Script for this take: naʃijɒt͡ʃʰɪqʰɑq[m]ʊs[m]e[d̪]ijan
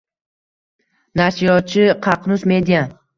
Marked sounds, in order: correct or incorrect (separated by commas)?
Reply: incorrect, correct, correct